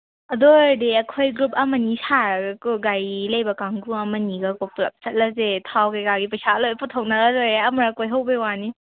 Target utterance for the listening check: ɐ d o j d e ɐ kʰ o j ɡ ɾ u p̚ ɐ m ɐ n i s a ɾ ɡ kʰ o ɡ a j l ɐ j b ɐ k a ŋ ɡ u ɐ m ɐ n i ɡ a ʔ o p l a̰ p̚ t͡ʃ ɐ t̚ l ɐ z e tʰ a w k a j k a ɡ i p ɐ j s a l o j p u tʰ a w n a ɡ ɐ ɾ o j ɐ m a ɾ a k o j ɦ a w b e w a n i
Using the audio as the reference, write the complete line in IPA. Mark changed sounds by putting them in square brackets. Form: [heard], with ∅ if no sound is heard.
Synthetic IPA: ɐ d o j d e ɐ kʰ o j ɡ ɾ u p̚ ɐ m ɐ n i s a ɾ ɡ [k] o ɡ a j l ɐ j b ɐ k a ŋ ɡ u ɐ m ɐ n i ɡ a [k] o p l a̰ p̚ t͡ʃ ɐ t̚ l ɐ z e tʰ a w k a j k a ɡ i p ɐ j s a l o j p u tʰ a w n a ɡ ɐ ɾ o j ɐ m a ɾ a k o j ɦ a w b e w a n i